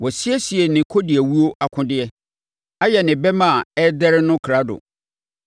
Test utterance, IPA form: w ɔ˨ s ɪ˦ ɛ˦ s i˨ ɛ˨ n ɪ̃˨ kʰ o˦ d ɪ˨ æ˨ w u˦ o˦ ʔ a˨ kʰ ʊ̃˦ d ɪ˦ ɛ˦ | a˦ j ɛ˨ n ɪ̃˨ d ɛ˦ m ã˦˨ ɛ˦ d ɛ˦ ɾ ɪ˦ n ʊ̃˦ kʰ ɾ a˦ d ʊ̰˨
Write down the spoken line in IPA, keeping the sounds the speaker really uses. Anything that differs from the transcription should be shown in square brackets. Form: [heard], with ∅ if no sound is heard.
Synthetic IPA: w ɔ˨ s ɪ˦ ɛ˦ s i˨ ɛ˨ n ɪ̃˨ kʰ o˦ d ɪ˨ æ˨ w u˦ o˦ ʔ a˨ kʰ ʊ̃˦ d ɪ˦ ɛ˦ | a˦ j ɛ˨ n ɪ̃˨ [b] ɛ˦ m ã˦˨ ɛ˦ d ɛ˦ ɾ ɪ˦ n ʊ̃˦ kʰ ɾ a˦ d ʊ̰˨